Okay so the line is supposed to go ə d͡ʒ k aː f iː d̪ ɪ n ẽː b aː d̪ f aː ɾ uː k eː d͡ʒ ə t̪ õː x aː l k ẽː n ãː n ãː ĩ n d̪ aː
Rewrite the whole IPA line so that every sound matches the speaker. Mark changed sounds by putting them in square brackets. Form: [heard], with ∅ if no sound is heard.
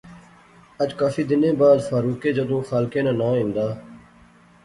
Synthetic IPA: ə d͡ʒ k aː f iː d̪ ɪ n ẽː b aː d̪ f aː ɾ uː k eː d͡ʒ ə [d̪] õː x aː l k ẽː n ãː n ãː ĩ n d̪ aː